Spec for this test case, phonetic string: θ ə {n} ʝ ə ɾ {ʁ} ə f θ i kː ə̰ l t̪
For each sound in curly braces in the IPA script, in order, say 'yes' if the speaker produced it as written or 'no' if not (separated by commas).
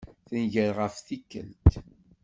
yes, yes